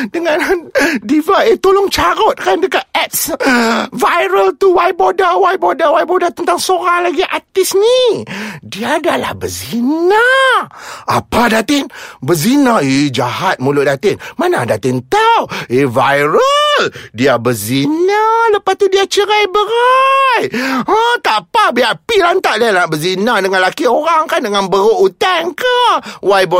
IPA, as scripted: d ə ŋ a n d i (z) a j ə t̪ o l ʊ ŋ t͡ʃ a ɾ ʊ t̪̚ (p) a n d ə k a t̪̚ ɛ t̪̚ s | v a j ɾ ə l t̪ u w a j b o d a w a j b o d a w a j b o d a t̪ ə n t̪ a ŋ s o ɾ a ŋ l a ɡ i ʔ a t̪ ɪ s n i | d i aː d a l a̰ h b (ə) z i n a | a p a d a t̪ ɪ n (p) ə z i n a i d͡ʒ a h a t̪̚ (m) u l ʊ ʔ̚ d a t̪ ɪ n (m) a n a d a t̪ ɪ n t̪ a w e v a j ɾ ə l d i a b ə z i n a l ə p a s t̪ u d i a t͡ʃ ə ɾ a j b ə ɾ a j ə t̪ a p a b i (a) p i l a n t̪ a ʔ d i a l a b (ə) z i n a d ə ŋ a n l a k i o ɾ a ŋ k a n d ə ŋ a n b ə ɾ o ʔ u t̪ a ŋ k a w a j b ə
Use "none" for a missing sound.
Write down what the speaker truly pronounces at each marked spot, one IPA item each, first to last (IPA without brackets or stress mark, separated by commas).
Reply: v, k, ə, b, m, m, a, ə